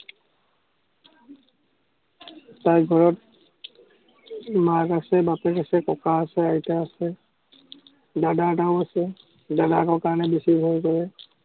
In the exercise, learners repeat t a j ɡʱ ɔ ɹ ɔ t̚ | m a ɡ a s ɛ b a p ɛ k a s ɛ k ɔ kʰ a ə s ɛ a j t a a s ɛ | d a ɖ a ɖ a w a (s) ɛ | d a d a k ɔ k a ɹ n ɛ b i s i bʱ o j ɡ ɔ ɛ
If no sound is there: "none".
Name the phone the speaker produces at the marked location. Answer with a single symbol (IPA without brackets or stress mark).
s